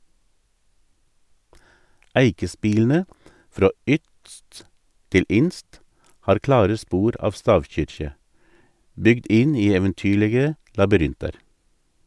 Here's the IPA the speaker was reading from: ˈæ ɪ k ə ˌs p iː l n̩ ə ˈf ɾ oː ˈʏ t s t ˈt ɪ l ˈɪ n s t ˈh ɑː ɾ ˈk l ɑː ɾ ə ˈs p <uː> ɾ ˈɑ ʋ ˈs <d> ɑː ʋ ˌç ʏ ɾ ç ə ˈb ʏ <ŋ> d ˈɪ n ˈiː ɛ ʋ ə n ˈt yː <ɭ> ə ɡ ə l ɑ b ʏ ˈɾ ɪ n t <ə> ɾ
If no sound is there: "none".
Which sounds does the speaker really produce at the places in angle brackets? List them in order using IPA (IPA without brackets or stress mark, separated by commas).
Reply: uː, t, ɡ, ɭ, ɑ